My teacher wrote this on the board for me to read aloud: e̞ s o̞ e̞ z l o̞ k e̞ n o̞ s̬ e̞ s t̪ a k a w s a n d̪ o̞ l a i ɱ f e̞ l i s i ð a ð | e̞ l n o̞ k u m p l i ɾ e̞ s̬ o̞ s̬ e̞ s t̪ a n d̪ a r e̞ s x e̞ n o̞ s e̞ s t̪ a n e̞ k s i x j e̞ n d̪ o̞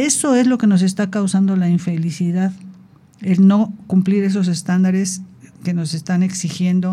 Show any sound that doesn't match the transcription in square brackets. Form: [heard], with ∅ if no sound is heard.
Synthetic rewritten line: e̞ s o̞ e̞ z l o̞ k e̞ n o̞ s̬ e̞ s t̪ a k a w s a n d̪ o̞ l a i ɱ f e̞ l i s i ð a ð | e̞ l n o̞ k u m p l i ɾ e̞ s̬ o̞ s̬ e̞ s t̪ a n d̪ a [ɾ] e̞ s [k] e̞ n o̞ s e̞ s t̪ a n e̞ k s i x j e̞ n d̪ o̞